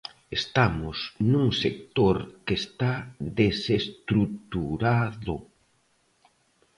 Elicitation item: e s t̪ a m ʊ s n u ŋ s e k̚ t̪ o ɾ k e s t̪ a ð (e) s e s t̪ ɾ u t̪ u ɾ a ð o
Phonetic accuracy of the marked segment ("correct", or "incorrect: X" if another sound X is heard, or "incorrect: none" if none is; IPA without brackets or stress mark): correct